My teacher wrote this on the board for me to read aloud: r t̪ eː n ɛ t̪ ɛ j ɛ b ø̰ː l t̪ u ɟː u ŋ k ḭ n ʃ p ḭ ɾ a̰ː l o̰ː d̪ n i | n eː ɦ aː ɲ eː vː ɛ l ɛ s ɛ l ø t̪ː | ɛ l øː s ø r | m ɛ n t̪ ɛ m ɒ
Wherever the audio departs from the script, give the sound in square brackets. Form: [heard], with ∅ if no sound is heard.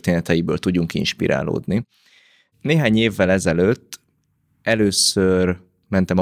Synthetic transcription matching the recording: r t̪ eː n ɛ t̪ ɛ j [i] b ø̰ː l t̪ u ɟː u ŋ k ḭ n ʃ p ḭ ɾ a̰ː l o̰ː d̪ n i | n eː ɦ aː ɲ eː vː ɛ l ɛ [z] ɛ l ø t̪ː | ɛ l øː s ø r | m ɛ n t̪ ɛ m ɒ